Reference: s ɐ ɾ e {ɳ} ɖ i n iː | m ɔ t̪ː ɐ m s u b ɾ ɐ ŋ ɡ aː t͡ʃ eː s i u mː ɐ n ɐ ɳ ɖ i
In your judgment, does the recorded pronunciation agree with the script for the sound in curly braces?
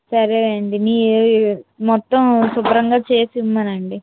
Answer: yes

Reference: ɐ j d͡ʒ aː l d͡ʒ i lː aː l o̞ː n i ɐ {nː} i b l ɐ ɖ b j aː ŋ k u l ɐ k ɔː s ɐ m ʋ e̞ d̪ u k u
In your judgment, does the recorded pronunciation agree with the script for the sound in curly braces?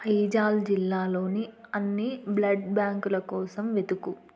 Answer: yes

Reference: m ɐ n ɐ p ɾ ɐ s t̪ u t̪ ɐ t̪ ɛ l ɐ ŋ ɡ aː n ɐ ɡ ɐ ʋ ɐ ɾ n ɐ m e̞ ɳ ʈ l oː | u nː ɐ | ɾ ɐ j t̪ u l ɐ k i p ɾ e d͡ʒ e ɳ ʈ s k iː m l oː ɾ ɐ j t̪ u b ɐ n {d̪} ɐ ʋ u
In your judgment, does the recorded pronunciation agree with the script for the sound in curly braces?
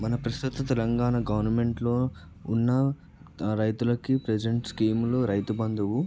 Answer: yes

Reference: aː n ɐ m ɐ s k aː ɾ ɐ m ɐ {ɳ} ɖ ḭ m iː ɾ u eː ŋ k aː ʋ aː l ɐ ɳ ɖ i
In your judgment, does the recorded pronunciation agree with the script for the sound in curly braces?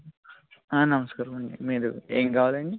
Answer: yes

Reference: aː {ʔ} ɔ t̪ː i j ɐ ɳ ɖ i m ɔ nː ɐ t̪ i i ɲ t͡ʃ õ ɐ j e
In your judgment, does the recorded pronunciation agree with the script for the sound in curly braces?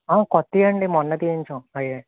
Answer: no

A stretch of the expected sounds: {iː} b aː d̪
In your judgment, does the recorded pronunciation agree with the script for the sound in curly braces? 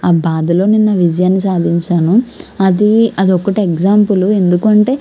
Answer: no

